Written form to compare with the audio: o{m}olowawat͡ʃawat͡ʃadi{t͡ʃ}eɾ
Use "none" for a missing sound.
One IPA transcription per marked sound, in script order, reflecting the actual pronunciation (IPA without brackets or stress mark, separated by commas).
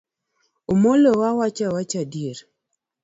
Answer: m, none